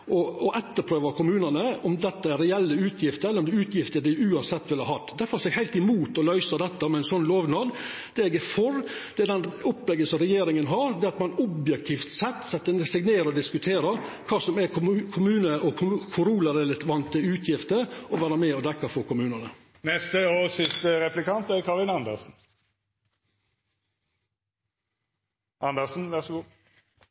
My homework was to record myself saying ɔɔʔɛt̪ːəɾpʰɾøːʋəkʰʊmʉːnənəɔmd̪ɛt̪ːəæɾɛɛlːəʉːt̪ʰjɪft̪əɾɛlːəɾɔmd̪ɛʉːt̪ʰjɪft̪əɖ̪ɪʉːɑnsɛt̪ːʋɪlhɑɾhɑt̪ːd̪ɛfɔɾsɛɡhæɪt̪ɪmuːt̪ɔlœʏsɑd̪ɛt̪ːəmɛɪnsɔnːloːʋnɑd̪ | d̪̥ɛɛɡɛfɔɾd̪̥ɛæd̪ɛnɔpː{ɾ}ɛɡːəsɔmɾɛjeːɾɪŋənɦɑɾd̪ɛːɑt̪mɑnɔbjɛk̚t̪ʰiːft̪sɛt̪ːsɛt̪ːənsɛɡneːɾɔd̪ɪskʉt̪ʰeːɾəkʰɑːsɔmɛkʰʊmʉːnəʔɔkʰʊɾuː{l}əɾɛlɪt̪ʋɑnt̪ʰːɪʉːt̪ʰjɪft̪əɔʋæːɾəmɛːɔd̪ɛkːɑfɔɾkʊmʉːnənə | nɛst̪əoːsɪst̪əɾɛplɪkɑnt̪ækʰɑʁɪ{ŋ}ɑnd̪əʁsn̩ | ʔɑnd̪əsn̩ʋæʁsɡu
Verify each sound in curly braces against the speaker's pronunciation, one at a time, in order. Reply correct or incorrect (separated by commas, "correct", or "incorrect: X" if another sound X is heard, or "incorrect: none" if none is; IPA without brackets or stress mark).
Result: incorrect: l, correct, incorrect: n